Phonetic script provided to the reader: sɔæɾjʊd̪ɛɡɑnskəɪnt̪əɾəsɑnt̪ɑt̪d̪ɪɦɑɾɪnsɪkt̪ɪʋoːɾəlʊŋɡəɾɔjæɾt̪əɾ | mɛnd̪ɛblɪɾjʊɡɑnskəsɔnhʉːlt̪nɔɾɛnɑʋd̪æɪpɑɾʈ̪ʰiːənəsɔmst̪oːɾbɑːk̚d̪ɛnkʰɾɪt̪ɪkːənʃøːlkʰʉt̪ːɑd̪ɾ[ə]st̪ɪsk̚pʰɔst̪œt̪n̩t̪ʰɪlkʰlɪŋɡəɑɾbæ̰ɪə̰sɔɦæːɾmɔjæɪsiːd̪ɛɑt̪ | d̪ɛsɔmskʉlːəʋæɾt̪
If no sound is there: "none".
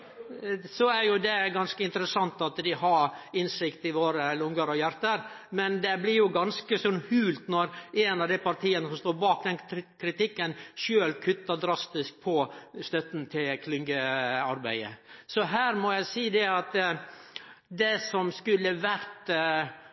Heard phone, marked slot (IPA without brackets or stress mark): ɑ